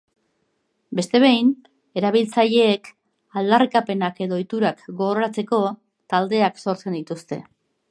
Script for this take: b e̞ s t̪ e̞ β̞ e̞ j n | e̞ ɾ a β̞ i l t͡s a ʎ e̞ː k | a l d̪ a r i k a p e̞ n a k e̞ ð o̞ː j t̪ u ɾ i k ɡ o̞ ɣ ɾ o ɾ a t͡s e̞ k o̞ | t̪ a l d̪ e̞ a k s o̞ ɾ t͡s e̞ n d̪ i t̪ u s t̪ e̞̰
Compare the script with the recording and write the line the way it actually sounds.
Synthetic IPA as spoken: b e̞ s t̪ e̞ β̞ e̞ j n | e̞ ɾ a β̞ i l t͡s a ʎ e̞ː k | a l d̪ a r i k a p e̞ n a k e̞ ð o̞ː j t̪ u ɾ a k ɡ o̞ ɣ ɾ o ɾ a t͡s e̞ k o̞ | t̪ a l d̪ e̞ a k s o̞ ɾ t͡s e̞ n d̪ i t̪ u s t̪ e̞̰

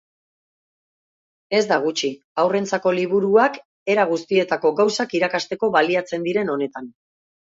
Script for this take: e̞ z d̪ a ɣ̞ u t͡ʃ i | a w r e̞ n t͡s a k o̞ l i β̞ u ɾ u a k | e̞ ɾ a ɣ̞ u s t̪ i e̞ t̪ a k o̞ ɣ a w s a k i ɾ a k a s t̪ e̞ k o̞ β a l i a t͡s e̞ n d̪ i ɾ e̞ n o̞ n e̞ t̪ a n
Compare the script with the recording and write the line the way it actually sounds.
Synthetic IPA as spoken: e̞ z d̪ a ɣ̞ u t͡ʃ i | a w r e̞ n t͡s a k o̞ l i β̞ u ɾ u a k | e̞ ɾ a ɣ̞ u s t̪ i e̞ t̪ a k o̞ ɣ a w s a k i ɾ a k a s t̪ e̞ k o̞ β a l i a t͡s e̞ n d̪ i ɾ e̞ n o̞ n e̞ t̪ a n

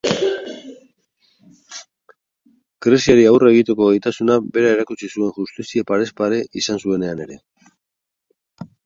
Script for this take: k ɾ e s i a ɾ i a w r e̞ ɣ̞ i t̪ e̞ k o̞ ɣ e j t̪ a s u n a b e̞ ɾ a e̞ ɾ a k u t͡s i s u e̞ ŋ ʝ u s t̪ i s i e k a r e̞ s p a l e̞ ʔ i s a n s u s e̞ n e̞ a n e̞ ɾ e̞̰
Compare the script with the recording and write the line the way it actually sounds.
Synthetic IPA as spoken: k ɾ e s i a ɾ i a w r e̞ ɣ̞ i t̪ e̞ k o̞ ɣ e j t̪ a s u n a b e̞ ɾ a e̞ ɾ a k u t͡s i s u e̞ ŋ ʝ u s t̪ i s i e p a ɾ e̞ s p a ɾ e̞ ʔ i s a n s u e̞ n e̞ a n e̞ ɾ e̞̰

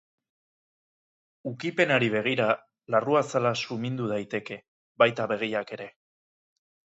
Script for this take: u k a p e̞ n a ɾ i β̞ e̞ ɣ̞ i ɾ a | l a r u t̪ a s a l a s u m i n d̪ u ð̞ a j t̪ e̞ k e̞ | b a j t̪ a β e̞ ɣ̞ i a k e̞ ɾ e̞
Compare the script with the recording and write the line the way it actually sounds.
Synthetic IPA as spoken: u k i p e̞ n a ɾ i β̞ e̞ ɣ̞ i ɾ a | l a r u a s a l a s u m i n d̪ u ð̞ a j t̪ e̞ k e̞ | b a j t̪ a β e̞ ɣ̞ i a k e̞ ɾ e̞

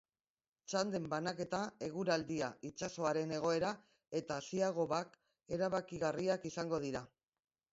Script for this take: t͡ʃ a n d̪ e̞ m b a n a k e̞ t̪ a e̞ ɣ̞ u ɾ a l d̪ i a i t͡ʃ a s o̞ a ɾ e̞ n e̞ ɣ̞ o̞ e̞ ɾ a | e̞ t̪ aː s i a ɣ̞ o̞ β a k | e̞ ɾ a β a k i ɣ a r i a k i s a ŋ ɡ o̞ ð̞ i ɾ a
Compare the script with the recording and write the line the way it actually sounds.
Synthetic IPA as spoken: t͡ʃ a n d̪ e̞ m b a n a k e̞ t̪ a e̞ ɣ̞ u ɾ a l d̪ i a i t͡ʃ a s o̞ a ɾ e̞ n e̞ ɣ̞ o̞ e̞ ɾ a | e̞ t̪ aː s i a ɣ̞ o̞ β a k | e̞ ɾ a β a k i ɣ a r i a k i s a ŋ ɡ o̞ ð̞ i ɾ a

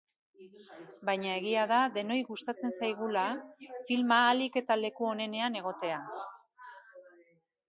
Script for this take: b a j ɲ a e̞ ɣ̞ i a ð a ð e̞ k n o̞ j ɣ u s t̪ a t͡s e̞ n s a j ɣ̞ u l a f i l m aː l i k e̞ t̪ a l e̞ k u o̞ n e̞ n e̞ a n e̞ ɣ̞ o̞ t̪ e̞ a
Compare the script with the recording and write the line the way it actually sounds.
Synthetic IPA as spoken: b a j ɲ a e̞ ɣ̞ i a ð a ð e̞ n o̞ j ɣ u s t̪ a t͡s e̞ n s a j ɣ̞ u l a f i l m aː l i k e̞ t̪ a l e̞ k u o̞ n e̞ n e̞ a n e̞ ɣ̞ o̞ t̪ e̞ a

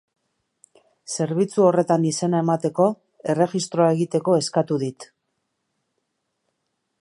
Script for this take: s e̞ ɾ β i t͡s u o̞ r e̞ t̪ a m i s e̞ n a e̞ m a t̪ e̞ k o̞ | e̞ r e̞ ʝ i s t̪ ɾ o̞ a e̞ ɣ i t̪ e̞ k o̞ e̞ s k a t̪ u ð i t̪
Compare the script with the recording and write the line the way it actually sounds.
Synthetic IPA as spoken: s e̞ ɾ β i t͡s u o̞ r e̞ t̪ a n i s e̞ n a e̞ m a t̪ e̞ k o̞ | e̞ r e̞ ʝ i s t̪ ɾ o̞ a e̞ ɣ i t̪ e̞ k o̞ e̞ s k a t̪ u ð i t̪

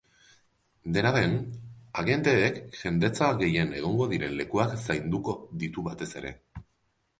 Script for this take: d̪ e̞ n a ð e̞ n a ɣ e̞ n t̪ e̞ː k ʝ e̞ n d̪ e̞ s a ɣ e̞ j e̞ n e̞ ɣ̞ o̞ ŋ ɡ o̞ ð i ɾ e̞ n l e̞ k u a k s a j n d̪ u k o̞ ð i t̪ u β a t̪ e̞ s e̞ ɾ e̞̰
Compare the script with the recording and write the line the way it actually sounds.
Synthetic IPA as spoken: d̪ e̞ n a ð e̞ n a ɣ e̞ n t̪ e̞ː k ʝ e̞ n d̪ e̞ t͡s a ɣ e̞ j e̞ n e̞ ɣ̞ o̞ ŋ ɡ o̞ ð i ɾ e̞ n l e̞ k u a k s a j n d̪ u k o̞ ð i t̪ u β a t̪ e̞ s e̞ ɾ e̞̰

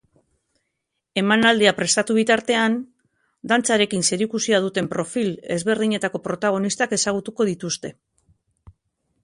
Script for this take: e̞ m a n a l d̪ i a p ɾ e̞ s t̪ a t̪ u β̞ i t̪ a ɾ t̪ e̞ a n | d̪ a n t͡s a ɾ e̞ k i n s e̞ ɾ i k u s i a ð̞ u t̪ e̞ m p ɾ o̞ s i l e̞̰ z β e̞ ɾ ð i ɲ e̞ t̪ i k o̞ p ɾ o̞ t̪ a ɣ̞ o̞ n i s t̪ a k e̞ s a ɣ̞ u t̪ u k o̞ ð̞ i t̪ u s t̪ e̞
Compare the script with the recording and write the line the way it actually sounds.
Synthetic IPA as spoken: e̞ m a n a l d̪ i a p ɾ e̞ s t̪ a t̪ u β̞ i t̪ a ɾ t̪ e̞ a n | d̪ a n t͡s a ɾ e̞ k i n s e̞ ɾ i k u s i a ð̞ u t̪ e̞ m p ɾ o̞ f i l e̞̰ z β e̞ ɾ ð i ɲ e̞ t̪ a k o̞ p ɾ o̞ t̪ a ɣ̞ o̞ n i s t̪ a k e̞ s a ɣ̞ u t̪ u k o̞ ð̞ i t̪ u s t̪ e̞

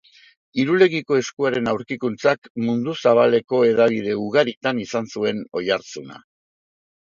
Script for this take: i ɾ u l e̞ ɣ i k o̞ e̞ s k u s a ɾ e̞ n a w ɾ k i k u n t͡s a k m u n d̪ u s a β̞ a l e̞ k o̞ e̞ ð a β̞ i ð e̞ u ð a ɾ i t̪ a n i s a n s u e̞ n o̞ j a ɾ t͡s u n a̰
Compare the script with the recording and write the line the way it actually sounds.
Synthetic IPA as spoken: i ɾ u l e̞ ɣ i k o̞ e̞ s k u a ɾ e̞ n a w ɾ k i k u n t͡s a k m u n d̪ u s a β̞ a l e̞ k o̞ e̞ ð a β̞ i ð e̞ u ɣ a ɾ i t̪ a n i s a n s u e̞ n o̞ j a ɾ t͡s u n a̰

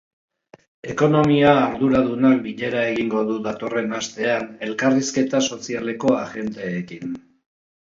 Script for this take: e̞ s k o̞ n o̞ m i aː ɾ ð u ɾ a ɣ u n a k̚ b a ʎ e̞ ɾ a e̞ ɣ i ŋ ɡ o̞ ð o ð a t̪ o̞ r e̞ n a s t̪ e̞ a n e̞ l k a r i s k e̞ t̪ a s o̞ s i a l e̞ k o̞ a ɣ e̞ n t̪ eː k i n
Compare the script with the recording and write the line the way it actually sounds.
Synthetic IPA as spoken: e̞ k o̞ n o̞ m i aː ɾ ð u ɾ a ð u n a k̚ b i ʎ e̞ ɾ a e̞ ɣ i ŋ ɡ o̞ ð u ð a t̪ o̞ r e̞ n a s t̪ e̞ a n e̞ l k a r i s k e̞ t̪ a s o̞ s i a l e̞ k o̞ a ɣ e̞ n t̪ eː k i n

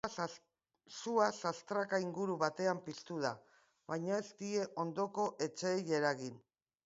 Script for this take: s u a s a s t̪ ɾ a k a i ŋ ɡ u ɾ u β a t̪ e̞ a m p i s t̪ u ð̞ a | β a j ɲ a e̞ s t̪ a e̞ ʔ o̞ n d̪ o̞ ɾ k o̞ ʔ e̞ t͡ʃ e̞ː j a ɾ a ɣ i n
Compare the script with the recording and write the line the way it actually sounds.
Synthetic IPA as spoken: s u a s a s t̪ ɾ a k a i ŋ ɡ u ɾ u β a t̪ e̞ a m p i s t̪ u ð̞ a | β a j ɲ a e̞ s t̪ i e̞ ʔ o̞ n d̪ o̞ k o̞ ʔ e̞ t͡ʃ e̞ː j e ɾ a ɣ i n

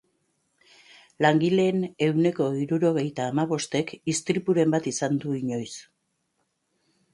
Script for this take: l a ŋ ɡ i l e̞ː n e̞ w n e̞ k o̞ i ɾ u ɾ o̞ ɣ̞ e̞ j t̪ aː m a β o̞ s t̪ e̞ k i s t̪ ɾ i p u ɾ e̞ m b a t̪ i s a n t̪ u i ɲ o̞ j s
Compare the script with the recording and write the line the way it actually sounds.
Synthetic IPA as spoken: l a ŋ ɡ i l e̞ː n e̞ w n e̞ k o̞ i ɾ u ɾ o̞ ɣ̞ e̞ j t̪ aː m a β o̞ s t̪ e̞ k i s t̪ ɾ i p u ɾ e̞ m b a t̪ i s a n d̪ u i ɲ o̞ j s

